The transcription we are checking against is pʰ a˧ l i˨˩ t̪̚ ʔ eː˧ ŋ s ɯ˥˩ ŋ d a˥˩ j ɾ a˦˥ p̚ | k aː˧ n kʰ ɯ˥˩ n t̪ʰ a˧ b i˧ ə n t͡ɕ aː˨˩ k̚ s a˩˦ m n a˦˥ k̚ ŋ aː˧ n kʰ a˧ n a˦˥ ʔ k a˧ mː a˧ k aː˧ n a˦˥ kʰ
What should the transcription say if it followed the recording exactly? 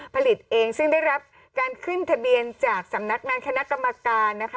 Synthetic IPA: pʰ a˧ l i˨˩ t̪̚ ʔ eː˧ ŋ s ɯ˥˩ ŋ d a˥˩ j ɾ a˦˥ p̚ | k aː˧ n kʰ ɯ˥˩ n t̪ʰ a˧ b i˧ ə n t͡ɕ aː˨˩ k̚ s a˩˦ m n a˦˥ k̚ ŋ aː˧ n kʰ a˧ n a˦˥ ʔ k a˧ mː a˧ k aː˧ nː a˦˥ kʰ